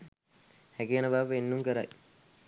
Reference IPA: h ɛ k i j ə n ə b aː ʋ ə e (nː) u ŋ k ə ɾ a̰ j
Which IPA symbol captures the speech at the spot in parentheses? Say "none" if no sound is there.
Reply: nː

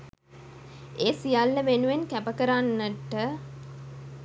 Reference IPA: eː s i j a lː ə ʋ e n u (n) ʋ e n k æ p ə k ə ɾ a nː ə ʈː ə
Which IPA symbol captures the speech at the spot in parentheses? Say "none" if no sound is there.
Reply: none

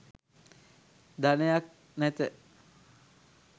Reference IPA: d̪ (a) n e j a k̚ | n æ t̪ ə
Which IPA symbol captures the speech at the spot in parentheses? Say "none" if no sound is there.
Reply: a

